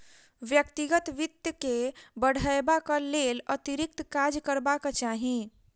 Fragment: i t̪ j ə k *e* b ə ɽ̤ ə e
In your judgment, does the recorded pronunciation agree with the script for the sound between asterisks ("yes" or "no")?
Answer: yes